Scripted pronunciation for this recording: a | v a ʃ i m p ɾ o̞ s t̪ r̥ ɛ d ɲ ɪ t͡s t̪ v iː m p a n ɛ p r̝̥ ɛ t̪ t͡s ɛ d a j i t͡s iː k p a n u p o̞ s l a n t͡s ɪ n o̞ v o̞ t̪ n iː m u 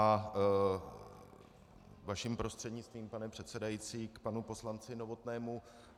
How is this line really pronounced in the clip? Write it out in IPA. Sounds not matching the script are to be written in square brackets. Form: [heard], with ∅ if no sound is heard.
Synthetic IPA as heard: a | v a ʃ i m p ɾ o̞ s t̪ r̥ ɛ d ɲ ɪ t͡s t̪ v iː m p a n ɛ p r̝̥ ɛ t̪ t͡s ɛ d a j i t͡s iː k p a n u p o̞ s l a n t͡s ɪ n o̞ v o̞ t̪ n [ɛː] m u